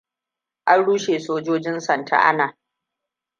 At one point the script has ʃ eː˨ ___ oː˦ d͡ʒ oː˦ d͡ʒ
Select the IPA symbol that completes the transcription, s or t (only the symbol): s